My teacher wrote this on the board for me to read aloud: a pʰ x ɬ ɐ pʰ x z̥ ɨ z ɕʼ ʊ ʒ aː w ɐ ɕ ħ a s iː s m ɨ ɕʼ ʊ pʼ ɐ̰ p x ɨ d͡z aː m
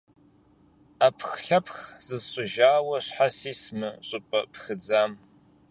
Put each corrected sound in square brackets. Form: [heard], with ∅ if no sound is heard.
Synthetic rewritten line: a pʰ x ɬ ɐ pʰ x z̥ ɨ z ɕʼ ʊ ʒ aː w ɐ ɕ ħ a s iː s m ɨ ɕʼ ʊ pʼ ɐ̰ p x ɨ d͡z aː m